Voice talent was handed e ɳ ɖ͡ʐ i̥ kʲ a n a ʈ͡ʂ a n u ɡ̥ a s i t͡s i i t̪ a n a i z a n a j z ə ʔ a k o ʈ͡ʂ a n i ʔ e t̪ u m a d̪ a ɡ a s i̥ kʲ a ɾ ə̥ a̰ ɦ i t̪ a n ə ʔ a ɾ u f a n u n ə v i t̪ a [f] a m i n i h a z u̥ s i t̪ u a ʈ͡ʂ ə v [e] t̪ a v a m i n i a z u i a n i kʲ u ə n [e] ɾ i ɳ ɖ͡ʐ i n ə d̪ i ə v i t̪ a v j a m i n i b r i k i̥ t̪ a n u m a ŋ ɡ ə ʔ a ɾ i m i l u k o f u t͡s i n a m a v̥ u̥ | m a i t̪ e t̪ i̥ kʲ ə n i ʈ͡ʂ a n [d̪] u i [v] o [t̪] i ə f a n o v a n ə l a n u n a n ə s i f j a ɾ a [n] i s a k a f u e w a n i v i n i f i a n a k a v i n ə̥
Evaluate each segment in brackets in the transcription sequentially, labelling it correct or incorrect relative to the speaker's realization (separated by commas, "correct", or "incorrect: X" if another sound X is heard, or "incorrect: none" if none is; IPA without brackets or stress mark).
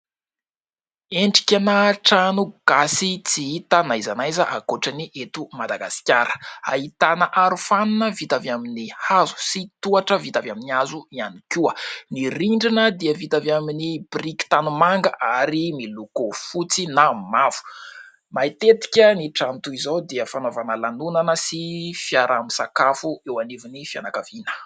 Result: incorrect: v, incorrect: i, incorrect: i, incorrect: t̪, incorrect: z, incorrect: d̪, incorrect: m